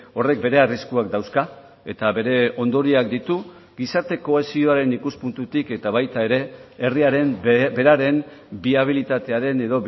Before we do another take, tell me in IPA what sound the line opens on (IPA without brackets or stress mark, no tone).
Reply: o̞